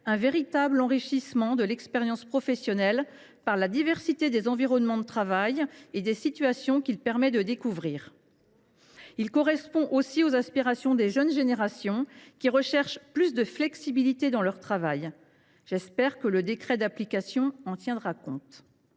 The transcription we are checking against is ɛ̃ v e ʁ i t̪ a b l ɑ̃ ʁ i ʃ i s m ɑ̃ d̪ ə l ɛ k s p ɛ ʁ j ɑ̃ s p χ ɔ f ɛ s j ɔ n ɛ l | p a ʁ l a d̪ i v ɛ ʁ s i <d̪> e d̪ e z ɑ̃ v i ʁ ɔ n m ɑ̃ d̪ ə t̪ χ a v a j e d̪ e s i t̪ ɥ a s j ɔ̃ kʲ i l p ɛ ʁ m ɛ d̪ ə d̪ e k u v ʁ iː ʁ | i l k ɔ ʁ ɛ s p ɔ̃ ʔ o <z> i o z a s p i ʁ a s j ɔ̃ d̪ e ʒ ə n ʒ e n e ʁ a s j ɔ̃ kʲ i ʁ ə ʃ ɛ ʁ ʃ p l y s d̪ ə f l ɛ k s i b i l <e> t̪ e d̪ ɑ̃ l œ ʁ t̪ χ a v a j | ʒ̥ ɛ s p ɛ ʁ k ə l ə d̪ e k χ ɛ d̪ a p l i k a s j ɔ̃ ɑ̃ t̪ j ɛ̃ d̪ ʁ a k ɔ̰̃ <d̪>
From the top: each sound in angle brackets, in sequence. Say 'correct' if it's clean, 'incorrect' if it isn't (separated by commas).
incorrect, incorrect, incorrect, incorrect